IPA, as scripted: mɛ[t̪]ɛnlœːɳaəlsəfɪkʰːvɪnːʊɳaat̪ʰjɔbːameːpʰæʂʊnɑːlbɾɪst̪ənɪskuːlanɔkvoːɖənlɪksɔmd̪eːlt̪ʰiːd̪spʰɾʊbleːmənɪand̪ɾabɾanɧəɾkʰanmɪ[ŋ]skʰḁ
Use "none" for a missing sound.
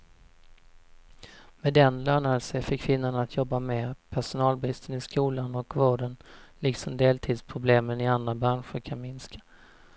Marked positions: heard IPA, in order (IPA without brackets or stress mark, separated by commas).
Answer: d̪, n